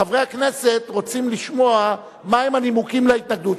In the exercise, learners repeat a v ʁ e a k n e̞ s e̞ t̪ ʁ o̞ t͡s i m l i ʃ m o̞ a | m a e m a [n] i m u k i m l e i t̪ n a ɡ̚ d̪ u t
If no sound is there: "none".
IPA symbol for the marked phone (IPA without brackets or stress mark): n